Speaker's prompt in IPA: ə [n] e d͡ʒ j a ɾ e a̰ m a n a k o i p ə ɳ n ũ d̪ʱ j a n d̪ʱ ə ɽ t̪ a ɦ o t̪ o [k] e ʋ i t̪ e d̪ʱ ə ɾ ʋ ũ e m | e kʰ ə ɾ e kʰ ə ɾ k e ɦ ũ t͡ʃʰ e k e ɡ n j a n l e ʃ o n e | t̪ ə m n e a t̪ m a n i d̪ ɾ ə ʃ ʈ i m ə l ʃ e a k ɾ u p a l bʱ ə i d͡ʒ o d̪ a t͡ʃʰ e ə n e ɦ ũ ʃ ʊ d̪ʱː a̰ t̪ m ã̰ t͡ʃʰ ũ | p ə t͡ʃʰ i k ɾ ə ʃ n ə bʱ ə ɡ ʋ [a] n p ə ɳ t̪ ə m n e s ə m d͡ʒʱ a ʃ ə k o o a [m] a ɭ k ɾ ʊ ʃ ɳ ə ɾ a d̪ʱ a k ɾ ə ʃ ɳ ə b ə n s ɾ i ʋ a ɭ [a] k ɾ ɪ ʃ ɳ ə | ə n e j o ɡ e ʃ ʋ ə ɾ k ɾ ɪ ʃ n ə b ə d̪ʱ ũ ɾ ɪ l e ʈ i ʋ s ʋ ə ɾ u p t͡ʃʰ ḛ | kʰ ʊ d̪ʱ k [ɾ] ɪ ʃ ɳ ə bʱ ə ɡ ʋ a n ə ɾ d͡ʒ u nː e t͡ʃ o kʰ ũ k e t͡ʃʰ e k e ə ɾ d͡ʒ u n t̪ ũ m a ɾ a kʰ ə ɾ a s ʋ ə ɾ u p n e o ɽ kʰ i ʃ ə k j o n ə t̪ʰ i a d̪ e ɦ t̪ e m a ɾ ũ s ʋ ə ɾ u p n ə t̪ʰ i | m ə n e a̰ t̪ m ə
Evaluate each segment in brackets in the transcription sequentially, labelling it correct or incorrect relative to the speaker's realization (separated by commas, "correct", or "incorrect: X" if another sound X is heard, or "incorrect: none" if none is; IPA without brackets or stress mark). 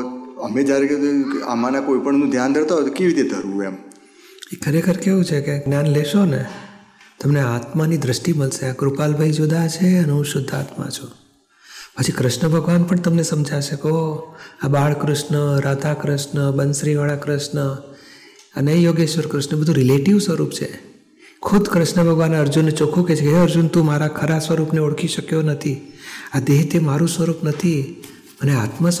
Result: incorrect: m, correct, correct, incorrect: b, correct, correct